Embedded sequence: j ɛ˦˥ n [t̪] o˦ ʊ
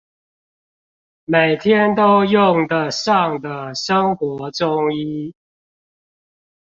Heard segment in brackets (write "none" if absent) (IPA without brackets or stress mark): t̪